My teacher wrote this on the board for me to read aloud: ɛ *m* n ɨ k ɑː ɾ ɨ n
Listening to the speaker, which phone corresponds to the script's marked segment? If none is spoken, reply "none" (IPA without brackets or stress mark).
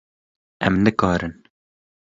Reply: m